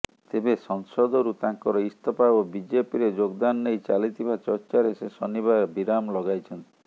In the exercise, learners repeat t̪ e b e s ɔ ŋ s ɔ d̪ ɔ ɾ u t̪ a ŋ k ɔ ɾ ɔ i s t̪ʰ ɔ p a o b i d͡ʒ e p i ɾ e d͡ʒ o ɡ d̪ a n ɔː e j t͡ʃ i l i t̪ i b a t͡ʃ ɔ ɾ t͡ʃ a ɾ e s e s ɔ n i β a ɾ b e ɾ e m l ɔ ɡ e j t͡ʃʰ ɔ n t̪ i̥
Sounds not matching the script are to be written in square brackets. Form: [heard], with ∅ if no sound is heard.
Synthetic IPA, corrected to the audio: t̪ e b e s ɔ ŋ s ɔ d̪ ɔ ɾ u t̪ a ŋ k ɔ ɾ ɔ i s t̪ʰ ɔ p a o b i d͡ʒ e p i ɾ e d͡ʒ o ɡ d̪ a n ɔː e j t͡ʃ [a] l i t̪ i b a t͡ʃ ɔ ɾ t͡ʃ a ɾ e s e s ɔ n i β a ɾ b [i] ɾ [a] m l ɔ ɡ [a] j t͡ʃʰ ɔ n t̪ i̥

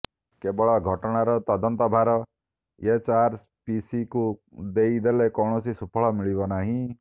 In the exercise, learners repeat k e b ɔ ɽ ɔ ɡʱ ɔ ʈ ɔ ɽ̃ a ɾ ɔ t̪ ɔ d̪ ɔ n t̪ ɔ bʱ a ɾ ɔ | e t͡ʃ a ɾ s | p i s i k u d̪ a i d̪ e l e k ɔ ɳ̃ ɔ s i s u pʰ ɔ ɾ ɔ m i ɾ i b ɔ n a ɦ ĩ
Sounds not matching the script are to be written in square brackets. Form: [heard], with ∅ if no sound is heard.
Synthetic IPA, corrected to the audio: k e b ɔ [ɭ] ɔ ɡʱ ɔ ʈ ɔ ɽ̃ a ɾ ɔ t̪ ɔ d̪ ɔ n t̪ ɔ bʱ a ɾ ɔ | e t͡ʃ a ɾ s | p i s i k u d̪ [e] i d̪ e l e k ɔ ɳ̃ ɔ s i s u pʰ ɔ [ɭ] ɔ m i [ɭ] i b ɔ n a ɦ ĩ

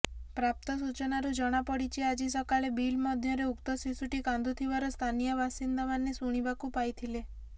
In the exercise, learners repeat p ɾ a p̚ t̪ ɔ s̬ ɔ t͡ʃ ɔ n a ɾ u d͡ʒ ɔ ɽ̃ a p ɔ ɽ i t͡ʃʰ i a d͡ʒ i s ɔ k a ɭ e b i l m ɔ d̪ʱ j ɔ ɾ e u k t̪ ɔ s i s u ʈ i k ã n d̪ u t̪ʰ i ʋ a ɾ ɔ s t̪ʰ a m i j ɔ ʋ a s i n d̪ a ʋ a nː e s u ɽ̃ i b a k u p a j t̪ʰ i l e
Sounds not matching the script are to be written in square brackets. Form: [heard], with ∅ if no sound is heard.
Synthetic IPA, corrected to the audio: p ɾ a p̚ t̪ ɔ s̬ [u] t͡ʃ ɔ n a ɾ u d͡ʒ ɔ ɽ̃ a p ɔ ɽ i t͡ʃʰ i a d͡ʒ i s ɔ k a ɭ e b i l m ɔ d̪ʱ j ɔ ɾ e u k t̪ ɔ s i s u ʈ i k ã n d̪ u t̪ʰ i ʋ a ɾ ɔ s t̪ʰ a [n] i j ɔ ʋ a s i n d̪ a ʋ a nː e s u ɽ̃ i b a k u p a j t̪ʰ i l e

